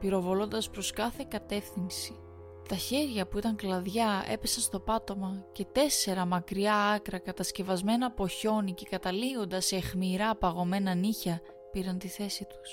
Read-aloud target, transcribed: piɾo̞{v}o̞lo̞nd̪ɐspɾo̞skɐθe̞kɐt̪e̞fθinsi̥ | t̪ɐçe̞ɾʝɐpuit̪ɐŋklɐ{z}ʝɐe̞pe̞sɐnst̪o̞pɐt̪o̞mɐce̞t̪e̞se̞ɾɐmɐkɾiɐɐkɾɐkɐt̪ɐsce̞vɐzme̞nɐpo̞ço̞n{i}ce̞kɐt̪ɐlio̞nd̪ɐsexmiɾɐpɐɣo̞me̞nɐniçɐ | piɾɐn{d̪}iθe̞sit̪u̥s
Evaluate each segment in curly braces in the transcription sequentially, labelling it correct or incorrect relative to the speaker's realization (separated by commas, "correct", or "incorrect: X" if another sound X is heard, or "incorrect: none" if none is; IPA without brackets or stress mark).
correct, incorrect: ð, correct, incorrect: t̪